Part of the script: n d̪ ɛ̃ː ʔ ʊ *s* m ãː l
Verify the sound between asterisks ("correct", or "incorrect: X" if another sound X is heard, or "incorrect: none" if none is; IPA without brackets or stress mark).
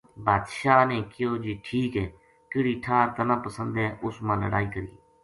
correct